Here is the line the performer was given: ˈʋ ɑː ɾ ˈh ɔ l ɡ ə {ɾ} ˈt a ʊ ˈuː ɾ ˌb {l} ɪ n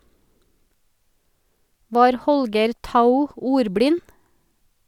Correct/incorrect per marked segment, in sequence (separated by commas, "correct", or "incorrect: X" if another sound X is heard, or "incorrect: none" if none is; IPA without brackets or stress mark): correct, incorrect: ɽ